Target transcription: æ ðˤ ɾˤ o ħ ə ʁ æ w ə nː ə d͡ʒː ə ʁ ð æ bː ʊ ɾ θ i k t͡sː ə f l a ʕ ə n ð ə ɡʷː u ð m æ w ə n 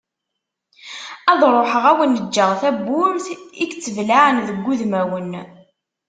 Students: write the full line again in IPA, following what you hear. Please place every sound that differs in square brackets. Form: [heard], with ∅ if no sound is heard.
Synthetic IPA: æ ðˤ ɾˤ o ħ ə ʁ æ w ə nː ə d͡ʒː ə ʁ [θ] æ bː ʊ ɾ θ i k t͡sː ə [v] l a ʕ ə n ð ə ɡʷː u ð m æ w ə n